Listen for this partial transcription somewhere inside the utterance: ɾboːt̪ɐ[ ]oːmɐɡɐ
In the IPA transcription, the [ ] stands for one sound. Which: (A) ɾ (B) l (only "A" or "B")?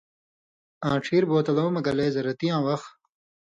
B